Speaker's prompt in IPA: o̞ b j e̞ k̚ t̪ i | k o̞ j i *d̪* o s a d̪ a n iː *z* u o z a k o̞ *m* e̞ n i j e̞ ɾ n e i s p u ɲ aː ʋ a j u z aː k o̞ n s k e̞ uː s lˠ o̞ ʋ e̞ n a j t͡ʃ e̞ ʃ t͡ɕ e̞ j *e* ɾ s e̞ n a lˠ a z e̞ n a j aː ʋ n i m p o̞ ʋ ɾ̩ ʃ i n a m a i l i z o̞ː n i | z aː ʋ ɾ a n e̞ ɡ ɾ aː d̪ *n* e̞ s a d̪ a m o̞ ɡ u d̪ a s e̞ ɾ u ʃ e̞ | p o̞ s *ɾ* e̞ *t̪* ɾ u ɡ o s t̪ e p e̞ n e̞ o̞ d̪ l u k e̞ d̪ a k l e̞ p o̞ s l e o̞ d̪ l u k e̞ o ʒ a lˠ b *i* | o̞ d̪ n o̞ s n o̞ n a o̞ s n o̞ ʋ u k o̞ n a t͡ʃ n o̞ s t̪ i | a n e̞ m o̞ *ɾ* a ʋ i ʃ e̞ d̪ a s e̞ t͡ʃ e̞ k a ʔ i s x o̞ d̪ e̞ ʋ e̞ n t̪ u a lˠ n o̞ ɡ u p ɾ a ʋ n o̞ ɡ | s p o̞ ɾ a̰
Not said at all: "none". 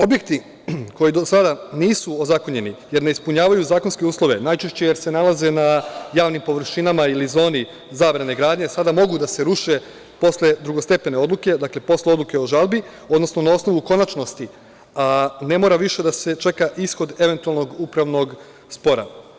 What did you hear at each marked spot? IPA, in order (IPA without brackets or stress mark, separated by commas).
d̪, s, ɲ, e, ɲ, l, d̪, i, ɾ